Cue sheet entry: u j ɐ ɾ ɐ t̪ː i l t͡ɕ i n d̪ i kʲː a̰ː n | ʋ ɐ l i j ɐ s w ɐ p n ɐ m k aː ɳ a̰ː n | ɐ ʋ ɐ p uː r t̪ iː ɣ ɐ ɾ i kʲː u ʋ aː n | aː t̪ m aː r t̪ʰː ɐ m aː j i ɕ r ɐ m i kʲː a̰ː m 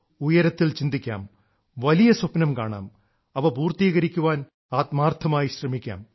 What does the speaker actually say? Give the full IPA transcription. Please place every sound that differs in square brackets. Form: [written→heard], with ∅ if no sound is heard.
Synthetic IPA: u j ɐ ɾ ɐ t̪ː i l t͡ɕ i n d̪ i kʲː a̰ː [n→m] | ʋ ɐ l i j ɐ s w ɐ p n ɐ m k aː ɳ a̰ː [n→m] | ɐ ʋ ɐ p uː r t̪ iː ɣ ɐ ɾ i kʲː u ʋ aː n | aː t̪ m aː r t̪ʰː ɐ m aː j i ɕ r ɐ m i kʲː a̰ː m

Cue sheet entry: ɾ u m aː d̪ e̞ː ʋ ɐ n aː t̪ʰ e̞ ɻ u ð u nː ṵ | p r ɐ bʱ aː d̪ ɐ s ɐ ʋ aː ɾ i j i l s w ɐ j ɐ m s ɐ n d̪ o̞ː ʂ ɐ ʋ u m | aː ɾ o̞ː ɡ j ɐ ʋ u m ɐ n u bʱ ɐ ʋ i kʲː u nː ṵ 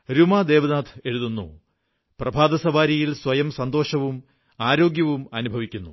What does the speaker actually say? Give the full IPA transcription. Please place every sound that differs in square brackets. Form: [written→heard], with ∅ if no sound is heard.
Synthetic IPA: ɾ u m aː d̪ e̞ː ʋ ɐ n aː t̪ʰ e̞ ɻ u ð u nː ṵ | p r ɐ bʱ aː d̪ ɐ s ɐ ʋ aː ɾ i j i l s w ɐ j ɐ m s ɐ n d̪ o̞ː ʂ ɐ ʋ u m | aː ɾ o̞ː ɡ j ɐ ʋ u m ɐ n u bʱ ɐ ʋ i kʲː u nː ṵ

